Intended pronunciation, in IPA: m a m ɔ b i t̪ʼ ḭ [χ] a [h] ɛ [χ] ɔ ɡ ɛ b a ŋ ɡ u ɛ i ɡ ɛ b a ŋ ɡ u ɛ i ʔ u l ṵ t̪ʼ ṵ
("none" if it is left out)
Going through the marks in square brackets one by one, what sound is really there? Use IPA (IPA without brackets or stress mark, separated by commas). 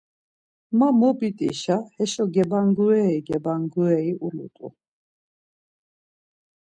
ʃ, h, ʃ